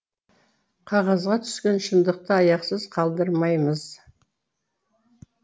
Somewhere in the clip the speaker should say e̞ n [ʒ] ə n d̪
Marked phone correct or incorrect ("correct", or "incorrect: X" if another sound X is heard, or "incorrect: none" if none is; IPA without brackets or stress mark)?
incorrect: ʃ